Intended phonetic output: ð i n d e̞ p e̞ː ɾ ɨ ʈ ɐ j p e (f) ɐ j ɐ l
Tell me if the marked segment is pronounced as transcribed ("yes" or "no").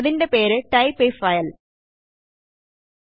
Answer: yes